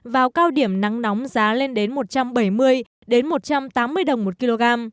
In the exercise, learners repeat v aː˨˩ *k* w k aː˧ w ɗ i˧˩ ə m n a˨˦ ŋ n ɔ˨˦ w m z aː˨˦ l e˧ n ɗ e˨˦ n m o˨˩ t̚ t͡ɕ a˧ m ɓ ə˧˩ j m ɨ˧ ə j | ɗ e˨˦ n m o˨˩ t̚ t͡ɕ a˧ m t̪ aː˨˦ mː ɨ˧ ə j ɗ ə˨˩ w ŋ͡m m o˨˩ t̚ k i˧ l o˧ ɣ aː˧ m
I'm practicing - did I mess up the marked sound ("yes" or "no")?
yes